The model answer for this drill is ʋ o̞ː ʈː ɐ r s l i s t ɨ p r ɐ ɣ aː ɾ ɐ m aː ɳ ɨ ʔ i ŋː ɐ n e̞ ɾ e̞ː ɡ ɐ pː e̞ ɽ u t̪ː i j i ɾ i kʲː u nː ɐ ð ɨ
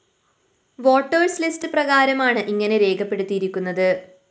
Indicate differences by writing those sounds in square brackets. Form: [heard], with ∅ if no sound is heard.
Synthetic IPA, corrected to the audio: ʋ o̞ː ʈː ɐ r s l i s t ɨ p r ɐ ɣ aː ɾ ɐ m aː ɳ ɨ ʔ i ŋː ɐ n e̞ ɾ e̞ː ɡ ɐ pː e̞ ɽ u t̪ː i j i ɾ i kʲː u nː ɐ ð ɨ

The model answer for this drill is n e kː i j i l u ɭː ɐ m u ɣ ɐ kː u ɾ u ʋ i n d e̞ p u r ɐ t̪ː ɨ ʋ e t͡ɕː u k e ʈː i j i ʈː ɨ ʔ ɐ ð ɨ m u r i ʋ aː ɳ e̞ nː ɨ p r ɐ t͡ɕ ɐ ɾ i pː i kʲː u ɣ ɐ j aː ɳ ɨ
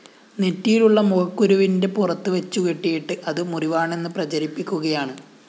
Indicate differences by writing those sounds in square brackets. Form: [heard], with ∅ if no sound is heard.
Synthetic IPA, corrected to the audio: n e [tː] i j i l u ɭː ɐ m u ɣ ɐ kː u ɾ u ʋ i n d e̞ p u r ɐ t̪ː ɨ ʋ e t͡ɕː u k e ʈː i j i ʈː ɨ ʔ ɐ ð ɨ m u r i ʋ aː ɳ e̞ nː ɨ p r ɐ t͡ɕ ɐ ɾ i pː i kʲː u ɣ ɐ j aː ɳ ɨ

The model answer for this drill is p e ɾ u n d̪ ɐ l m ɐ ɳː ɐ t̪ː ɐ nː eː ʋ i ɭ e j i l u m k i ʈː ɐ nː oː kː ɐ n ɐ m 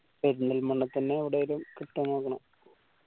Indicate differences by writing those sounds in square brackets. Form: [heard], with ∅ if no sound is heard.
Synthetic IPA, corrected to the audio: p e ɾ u n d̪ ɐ l m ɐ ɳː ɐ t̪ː ɐ nː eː ʋ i [ɽ] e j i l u m k i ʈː ɐ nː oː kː ɐ [ɳ] ɐ m

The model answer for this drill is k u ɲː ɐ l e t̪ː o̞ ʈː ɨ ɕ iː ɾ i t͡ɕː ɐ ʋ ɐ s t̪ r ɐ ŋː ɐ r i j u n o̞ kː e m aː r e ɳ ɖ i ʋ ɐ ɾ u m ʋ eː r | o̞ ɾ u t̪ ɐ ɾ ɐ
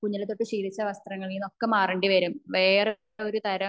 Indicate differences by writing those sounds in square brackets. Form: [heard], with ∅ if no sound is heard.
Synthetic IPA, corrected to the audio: k u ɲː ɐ l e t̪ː o̞ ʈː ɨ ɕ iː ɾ i t͡ɕː ɐ ʋ ɐ s t̪ r ɐ ŋː ɐ [ɭ] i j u n o̞ kː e m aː r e ɳ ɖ i ʋ ɐ ɾ u m ʋ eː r | o̞ ɾ u t̪ ɐ ɾ ɐ

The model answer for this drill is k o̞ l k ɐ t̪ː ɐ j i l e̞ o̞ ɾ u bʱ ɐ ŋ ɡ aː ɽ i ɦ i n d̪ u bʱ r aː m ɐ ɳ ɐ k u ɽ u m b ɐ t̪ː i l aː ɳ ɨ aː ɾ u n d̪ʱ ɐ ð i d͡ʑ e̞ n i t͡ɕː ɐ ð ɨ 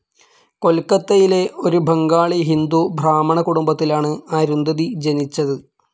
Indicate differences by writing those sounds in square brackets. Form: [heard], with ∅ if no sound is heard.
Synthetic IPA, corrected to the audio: k o̞ l k ɐ t̪ː ɐ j i l e̞ o̞ ɾ u bʱ ɐ ŋ ɡ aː [ɭ] i ɦ i n d̪ u bʱ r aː m ɐ ɳ ɐ k u ɽ u m b ɐ t̪ː i l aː ɳ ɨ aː ɾ u n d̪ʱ ɐ ð i d͡ʑ e̞ n i t͡ɕː ɐ ð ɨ

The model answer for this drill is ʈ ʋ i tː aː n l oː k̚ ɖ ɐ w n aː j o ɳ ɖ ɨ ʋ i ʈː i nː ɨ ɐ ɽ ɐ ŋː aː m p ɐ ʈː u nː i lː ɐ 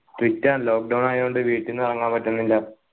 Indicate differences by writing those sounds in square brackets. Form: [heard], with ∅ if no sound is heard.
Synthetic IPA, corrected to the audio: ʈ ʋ i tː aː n l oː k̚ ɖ ɐ w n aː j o ɳ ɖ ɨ ʋ [iː] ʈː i nː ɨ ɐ [r] ɐ ŋː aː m p ɐ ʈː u nː i lː ɐ

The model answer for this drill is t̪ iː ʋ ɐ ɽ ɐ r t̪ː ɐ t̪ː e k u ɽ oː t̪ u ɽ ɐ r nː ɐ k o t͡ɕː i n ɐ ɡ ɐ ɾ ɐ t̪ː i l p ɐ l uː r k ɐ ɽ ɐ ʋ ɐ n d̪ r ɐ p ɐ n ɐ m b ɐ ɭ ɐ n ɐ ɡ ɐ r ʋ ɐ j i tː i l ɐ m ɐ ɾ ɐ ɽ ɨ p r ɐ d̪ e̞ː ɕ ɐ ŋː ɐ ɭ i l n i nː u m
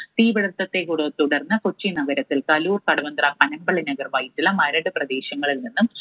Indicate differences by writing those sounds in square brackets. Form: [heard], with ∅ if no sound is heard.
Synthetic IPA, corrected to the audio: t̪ iː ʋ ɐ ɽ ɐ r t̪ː ɐ t̪ː e k u ɽ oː t̪ u ɽ ɐ r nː ɐ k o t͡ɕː i n ɐ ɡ ɐ ɾ ɐ t̪ː i l [k] ɐ l uː r k ɐ ɽ ɐ ʋ ɐ n d̪ r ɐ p ɐ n ɐ m b ɐ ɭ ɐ n ɐ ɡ ɐ r ʋ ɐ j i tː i l ɐ m ɐ ɾ ɐ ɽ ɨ p r ɐ d̪ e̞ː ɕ ɐ ŋː ɐ ɭ i l n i nː u m

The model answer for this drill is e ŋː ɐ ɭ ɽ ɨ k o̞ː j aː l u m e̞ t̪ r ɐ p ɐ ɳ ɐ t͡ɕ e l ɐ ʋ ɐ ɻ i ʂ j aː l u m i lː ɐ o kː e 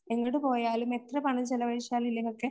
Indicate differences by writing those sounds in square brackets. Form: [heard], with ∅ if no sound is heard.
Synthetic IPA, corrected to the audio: e ŋː ɐ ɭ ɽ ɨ [p] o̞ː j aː l u m e̞ t̪ r ɐ p ɐ ɳ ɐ t͡ɕ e l ɐ ʋ ɐ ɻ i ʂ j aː l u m i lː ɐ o kː e

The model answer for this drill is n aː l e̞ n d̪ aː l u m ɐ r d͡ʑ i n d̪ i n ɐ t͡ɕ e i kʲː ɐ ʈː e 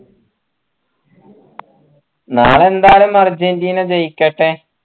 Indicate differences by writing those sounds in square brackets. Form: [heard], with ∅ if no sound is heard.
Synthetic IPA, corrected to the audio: n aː [ɭ] e̞ n d̪ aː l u m ɐ r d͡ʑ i n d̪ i n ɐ t͡ɕ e [j] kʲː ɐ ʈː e

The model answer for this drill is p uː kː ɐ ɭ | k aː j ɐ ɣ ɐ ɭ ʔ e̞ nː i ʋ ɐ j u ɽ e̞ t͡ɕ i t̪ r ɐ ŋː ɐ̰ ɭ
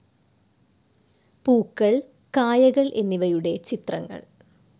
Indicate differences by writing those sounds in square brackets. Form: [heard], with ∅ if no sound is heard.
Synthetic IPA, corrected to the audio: p uː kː ɐ ɭ | k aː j ɐ ɣ ɐ ɭ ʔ e̞ nː i ʋ ɐ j u ɽ e̞ t͡ɕ i t̪ r ɐ ŋː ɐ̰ ɭ

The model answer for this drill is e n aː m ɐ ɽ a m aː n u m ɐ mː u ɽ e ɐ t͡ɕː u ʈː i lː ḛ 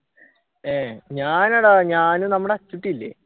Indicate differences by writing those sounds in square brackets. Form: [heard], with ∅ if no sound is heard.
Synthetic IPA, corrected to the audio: e [ɲ] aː [n] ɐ ɽ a [ɲ] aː n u [n] ɐ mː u ɽ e ɐ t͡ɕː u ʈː i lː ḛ

